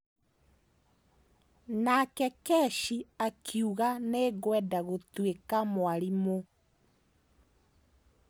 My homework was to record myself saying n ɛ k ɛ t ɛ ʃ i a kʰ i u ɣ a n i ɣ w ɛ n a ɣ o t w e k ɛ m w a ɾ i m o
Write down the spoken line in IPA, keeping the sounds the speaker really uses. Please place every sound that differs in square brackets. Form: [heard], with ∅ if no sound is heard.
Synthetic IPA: n [a] k ɛ [k] ɛ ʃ i a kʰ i u ɣ a n [e] ɣ w ɛ [d] a ɣ o t w e k [a] m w a ɾ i m o

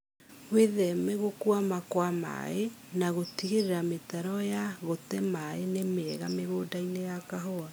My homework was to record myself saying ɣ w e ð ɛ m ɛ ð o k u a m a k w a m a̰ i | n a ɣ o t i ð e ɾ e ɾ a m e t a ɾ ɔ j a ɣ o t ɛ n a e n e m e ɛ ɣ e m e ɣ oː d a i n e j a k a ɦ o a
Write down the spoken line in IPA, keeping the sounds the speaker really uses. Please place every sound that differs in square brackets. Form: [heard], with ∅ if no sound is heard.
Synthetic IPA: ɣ w e ð ɛ m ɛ [ɣ] o k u a m a k w a m a̰ [e] | n a ɣ o t i [ɣ] e ɾ e ɾ a m e t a ɾ ɔ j a ɣ o t ɛ [m] a e n e m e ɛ ɣ [a] m e ɣ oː d a i n e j a k a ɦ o a

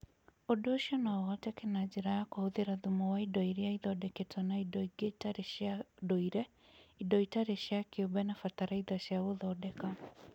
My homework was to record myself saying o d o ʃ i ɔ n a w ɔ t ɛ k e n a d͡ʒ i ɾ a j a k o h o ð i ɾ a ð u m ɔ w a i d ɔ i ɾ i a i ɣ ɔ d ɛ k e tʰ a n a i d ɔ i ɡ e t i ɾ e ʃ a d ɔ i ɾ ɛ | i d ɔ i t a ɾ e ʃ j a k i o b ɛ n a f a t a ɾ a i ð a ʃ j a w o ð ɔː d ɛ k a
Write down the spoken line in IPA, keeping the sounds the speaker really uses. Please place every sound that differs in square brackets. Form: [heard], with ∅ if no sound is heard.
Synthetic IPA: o d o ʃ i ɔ n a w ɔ t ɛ k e n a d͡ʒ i ɾ a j a k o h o ð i ɾ a ð u m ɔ w a i d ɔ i ɾ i a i [ð] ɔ d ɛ k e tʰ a n a i d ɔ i ɡ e t [a] ɾ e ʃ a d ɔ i ɾ ɛ | i d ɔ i t a ɾ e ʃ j a k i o b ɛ n a f a t a ɾ a i ð a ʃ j a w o ð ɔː d ɛ k a

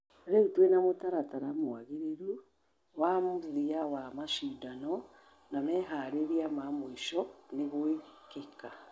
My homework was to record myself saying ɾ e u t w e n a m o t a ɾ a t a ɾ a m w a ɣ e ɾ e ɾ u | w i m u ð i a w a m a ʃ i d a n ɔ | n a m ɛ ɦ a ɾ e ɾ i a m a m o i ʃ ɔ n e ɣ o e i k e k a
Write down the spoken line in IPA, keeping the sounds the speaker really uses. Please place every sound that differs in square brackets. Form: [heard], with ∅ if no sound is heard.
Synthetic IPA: ɾ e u t w e n a m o t a ɾ a t a ɾ a m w a ɣ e ɾ e ɾ u | w [a] m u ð i a w a m a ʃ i d a n ɔ | n a m ɛ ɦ a ɾ e ɾ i a m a m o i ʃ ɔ n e ɣ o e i k e k a

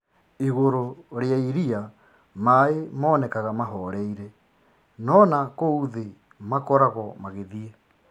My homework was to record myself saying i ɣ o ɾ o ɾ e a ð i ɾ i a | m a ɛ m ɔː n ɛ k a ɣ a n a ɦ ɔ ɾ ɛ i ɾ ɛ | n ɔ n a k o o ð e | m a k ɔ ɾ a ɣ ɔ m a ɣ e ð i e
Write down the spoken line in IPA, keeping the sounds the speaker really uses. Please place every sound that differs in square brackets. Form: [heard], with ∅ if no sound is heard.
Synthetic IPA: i ɣ o ɾ o ɾ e a [∅] i ɾ i a | m a [e] m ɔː n ɛ k a ɣ a [m] a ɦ ɔ ɾ ɛ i ɾ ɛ | n ɔ n a k o [u] ð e | m a k ɔ ɾ a ɣ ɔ m a ɣ e ð i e

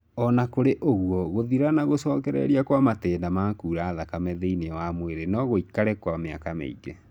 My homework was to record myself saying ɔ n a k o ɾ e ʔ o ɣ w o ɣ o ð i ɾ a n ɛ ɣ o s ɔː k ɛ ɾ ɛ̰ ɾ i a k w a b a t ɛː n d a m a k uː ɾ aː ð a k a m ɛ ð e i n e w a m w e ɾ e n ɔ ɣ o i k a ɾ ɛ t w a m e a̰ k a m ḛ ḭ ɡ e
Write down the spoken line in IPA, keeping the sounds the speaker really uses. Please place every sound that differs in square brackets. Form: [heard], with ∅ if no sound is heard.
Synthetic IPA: ɔ n a k o ɾ e ʔ o ɣ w [ɔ] ɣ o ð i ɾ a n [a] ɣ o s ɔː k ɛ ɾ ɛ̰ ɾ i a k w a [m] a t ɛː n d a m a k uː ɾ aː ð a k a m ɛ ð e i n e w a m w e ɾ e n ɔ ɣ o i k a ɾ ɛ [k] w a m e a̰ k a m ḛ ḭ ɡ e

